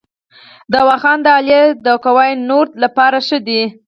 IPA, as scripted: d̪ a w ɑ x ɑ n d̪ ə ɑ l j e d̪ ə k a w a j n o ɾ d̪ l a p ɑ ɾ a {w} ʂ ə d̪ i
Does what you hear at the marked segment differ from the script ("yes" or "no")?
yes